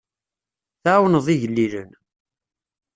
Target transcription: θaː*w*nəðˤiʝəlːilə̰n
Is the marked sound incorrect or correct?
correct